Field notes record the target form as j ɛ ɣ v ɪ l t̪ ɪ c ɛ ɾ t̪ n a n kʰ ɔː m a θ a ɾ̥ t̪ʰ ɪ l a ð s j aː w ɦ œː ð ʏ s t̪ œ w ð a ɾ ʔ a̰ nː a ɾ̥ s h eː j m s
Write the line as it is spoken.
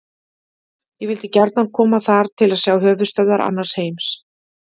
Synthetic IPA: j ɛ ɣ v ɪ l t̪ ɪ c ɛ ɾ t̪ n a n kʰ ɔː m a θ a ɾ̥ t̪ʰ ɪ l a ð s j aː w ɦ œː v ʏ s t̪ œ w ð a ɾ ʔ a̰ nː a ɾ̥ s h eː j m s